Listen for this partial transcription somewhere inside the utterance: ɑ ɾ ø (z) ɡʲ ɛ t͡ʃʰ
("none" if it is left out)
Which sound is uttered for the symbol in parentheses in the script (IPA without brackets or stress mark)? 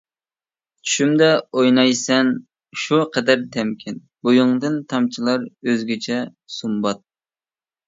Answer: z